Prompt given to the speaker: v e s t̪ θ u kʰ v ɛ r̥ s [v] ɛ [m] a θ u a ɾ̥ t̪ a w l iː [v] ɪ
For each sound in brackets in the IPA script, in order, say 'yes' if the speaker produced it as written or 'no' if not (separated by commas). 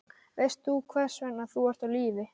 yes, no, yes